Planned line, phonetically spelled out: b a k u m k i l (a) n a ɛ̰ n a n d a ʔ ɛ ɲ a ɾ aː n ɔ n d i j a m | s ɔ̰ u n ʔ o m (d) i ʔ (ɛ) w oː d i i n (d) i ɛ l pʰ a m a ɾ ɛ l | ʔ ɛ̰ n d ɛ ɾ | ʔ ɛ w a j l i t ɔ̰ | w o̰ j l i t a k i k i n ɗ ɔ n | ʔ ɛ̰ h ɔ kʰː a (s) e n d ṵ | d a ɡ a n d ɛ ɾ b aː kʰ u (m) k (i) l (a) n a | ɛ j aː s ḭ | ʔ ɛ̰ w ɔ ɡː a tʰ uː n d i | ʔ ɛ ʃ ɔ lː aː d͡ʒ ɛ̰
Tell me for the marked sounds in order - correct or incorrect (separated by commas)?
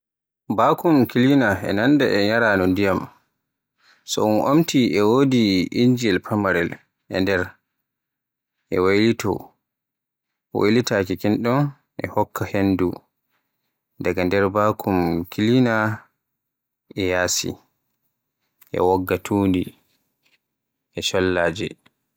incorrect, incorrect, correct, incorrect, incorrect, correct, correct, incorrect